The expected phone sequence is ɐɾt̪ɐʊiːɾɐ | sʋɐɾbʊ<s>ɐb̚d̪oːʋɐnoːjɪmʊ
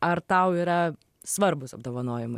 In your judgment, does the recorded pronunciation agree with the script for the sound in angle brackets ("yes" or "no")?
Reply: yes